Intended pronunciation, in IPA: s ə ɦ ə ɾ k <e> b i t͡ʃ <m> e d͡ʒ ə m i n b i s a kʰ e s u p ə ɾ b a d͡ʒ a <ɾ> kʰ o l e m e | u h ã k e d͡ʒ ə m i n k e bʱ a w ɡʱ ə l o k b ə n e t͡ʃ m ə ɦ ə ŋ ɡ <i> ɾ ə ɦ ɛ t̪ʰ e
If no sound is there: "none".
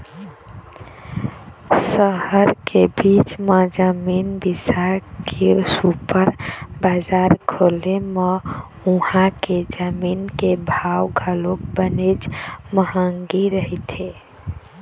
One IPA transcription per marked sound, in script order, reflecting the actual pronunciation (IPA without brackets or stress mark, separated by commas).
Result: e, m, ɾ, i